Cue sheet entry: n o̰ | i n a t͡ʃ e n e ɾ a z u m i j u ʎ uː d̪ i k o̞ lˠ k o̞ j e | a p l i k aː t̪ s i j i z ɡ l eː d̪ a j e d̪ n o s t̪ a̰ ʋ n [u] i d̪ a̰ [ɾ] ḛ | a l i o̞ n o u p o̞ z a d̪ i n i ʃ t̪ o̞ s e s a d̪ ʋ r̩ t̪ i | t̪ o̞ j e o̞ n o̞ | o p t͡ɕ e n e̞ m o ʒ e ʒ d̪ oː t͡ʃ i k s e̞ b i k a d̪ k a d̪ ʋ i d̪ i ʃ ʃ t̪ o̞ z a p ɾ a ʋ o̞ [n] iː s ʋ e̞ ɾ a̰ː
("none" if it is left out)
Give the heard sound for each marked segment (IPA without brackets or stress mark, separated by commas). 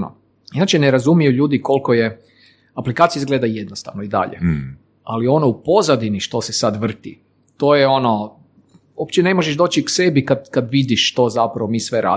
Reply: o, ʎ, m